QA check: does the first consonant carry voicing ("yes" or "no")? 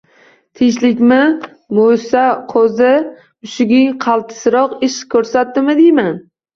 no